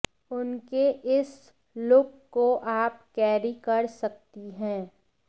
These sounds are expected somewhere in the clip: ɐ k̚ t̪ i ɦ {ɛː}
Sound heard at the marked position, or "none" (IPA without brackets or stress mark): ɛ̃ː